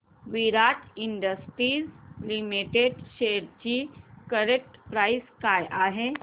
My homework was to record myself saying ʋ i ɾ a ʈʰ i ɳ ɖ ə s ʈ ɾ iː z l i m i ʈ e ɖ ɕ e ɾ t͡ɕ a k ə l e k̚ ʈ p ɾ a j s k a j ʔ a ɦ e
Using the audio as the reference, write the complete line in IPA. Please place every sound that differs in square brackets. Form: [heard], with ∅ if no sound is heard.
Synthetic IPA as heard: ʋ i ɾ a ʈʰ i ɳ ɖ ə s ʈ ɾ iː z l i m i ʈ e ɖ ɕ e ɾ t͡ɕ [i] k ə [ɾ] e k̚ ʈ p ɾ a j s k a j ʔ a ɦ e